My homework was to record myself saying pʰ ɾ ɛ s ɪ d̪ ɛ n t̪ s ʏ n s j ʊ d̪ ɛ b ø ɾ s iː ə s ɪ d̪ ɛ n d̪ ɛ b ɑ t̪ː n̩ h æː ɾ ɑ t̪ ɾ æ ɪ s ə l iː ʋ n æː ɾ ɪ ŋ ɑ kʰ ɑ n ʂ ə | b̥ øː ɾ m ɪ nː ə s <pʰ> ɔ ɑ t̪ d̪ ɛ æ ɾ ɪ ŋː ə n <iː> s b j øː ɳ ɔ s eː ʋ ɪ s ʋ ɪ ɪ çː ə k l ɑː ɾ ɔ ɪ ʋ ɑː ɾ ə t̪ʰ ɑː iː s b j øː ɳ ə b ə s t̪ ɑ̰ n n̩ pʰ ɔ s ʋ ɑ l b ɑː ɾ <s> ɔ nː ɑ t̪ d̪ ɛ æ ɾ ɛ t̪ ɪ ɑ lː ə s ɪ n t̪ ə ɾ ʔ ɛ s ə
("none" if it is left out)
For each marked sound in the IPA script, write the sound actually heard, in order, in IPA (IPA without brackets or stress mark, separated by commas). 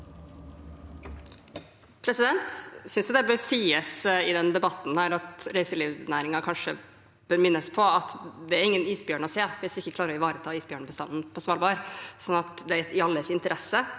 pʰ, iː, s